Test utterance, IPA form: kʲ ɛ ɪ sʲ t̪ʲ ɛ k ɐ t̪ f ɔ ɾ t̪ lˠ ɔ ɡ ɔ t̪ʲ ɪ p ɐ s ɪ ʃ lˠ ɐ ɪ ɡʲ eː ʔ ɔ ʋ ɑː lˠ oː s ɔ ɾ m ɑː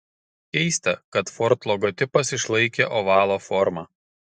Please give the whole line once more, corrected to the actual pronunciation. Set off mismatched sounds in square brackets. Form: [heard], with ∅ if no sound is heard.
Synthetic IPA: kʲ ɛ ɪ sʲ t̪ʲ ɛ k ɐ t̪ f ɔ ɾ t̪ lˠ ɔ ɡ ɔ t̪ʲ ɪ p ɐ s ɪ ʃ lˠ ɐ ɪ [kʲ] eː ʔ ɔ ʋ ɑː lˠ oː [f] ɔ ɾ m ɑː